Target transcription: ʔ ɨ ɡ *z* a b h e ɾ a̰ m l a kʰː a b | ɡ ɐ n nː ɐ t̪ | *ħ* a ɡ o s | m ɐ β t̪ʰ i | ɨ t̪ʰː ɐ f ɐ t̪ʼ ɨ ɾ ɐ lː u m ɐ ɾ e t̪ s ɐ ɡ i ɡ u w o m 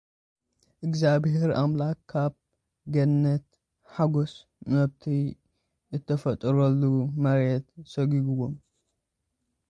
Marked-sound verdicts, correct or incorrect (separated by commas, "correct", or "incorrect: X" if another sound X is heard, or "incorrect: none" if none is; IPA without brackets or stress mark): correct, correct